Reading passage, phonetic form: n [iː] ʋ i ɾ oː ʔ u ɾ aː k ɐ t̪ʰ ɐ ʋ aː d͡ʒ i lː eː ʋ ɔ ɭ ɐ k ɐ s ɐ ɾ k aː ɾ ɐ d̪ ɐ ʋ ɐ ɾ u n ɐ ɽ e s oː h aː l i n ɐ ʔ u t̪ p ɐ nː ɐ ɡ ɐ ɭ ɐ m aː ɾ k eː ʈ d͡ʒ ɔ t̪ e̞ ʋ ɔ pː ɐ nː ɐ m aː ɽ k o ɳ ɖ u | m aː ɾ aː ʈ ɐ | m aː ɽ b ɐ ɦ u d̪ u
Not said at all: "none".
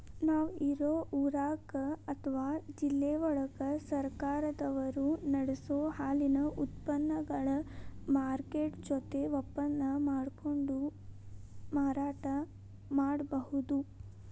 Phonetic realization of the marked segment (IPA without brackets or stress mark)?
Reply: aː